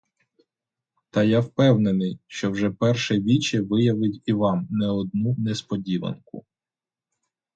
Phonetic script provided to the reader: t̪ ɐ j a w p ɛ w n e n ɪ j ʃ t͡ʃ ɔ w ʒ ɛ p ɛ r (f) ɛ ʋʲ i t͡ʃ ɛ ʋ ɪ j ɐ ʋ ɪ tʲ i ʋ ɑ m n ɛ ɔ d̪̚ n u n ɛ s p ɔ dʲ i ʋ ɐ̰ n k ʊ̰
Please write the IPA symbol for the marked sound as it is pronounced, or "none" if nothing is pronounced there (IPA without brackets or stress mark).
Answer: ʃ